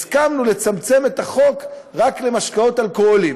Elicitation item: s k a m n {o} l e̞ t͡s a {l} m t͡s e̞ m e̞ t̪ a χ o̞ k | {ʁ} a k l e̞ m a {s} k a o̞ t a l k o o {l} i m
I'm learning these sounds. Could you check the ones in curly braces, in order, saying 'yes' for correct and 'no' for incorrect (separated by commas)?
no, no, yes, no, yes